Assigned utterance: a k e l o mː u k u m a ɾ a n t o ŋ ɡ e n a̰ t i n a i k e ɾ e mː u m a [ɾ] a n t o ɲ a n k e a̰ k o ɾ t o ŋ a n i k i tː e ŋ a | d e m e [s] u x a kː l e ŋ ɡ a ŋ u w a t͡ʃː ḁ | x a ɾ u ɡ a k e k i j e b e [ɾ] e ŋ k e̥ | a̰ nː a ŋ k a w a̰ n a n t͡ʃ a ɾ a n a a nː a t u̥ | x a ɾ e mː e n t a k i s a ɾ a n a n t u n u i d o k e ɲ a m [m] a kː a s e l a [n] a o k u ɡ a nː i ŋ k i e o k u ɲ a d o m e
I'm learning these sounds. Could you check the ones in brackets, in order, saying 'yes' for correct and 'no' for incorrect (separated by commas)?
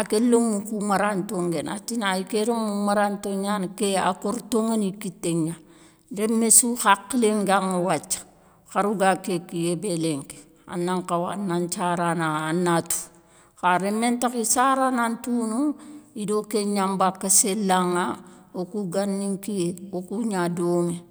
yes, yes, no, no, no